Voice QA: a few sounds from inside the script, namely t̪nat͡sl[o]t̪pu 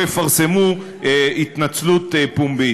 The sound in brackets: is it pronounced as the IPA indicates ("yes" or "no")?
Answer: no